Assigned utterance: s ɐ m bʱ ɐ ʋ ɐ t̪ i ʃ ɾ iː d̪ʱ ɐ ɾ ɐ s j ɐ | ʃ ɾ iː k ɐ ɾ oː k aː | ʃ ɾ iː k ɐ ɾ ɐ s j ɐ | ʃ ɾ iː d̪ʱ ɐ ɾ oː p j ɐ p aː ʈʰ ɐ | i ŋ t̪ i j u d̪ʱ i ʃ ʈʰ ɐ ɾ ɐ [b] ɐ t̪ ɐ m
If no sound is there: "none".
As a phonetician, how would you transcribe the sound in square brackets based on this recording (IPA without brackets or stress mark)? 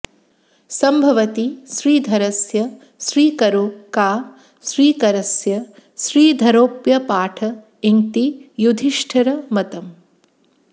m